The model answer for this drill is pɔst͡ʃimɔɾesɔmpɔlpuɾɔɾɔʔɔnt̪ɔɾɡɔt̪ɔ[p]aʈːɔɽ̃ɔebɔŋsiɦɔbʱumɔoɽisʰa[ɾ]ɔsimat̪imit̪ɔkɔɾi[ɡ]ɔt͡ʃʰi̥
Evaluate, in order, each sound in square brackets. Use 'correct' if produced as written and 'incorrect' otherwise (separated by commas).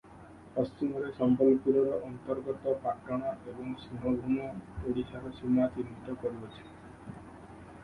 correct, correct, incorrect